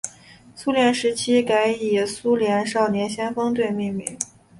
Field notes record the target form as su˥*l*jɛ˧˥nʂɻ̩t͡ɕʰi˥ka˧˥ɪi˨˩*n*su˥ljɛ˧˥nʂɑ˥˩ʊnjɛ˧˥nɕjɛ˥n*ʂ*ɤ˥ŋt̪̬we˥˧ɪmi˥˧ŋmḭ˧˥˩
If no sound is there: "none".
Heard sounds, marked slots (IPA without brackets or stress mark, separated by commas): l, none, f